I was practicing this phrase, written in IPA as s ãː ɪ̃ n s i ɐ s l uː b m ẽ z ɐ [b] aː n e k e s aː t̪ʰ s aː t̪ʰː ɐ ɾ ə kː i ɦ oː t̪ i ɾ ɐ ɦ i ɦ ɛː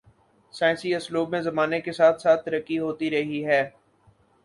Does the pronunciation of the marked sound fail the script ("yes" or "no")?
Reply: yes